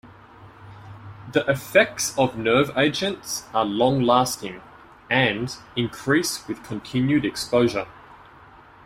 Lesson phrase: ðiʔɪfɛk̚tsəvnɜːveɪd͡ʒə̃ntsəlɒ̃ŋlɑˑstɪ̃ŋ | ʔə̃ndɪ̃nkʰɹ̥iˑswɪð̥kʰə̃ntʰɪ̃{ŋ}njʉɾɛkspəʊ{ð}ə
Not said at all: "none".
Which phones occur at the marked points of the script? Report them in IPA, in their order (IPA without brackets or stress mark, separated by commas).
none, ʒ